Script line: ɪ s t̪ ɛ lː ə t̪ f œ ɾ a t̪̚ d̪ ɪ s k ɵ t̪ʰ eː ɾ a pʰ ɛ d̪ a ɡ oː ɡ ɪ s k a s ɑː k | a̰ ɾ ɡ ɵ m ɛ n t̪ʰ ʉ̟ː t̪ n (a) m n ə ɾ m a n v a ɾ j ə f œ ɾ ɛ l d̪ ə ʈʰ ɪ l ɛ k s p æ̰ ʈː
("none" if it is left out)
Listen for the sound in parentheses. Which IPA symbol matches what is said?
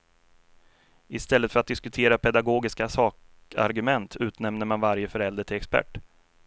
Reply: ɛ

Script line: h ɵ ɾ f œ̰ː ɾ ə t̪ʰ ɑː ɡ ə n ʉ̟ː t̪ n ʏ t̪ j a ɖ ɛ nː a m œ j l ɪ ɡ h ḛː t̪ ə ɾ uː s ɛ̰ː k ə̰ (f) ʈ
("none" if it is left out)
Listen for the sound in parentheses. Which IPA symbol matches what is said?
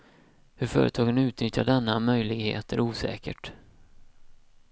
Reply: none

